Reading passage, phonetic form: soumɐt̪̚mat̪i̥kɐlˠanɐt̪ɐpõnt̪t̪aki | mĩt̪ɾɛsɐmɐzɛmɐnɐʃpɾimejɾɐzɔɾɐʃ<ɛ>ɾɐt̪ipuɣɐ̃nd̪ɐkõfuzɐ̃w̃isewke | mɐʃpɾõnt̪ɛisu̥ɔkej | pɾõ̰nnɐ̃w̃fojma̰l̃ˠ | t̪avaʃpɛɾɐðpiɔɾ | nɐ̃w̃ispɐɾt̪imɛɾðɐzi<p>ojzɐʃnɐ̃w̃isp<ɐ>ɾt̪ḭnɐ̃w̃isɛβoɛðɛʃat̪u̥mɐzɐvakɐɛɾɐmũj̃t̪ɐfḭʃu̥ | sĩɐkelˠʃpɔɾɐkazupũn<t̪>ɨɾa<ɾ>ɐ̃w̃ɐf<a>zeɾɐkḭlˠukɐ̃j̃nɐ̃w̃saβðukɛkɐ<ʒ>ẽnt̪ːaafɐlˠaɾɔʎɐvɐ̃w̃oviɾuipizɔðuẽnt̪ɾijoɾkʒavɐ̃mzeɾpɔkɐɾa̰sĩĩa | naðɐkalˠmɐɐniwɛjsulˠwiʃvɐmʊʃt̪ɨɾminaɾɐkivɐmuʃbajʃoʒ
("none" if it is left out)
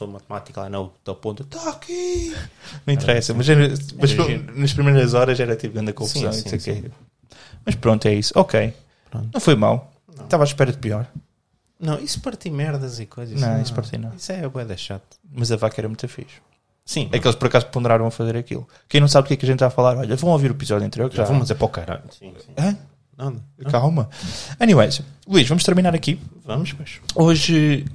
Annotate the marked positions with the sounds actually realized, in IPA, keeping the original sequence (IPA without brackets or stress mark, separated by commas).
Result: ɛ, k, ɐ, d̪, ɾ, ɐ, ʒ